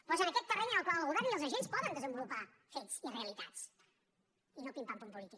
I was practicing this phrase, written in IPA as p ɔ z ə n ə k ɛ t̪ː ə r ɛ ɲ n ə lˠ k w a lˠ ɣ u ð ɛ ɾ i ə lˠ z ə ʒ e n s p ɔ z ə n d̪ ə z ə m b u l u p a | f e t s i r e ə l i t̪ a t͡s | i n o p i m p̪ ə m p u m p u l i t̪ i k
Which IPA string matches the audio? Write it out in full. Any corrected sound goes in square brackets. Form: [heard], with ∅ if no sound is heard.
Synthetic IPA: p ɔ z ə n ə k ɛ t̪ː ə r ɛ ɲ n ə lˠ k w a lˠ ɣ u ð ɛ ɾ i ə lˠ z ə ʒ e n s p ɔ [ð] ə n d̪ ə z ə m b u l u p a | f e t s i r e ə l i t̪ a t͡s | i n o p i m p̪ [a] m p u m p u l i t̪ i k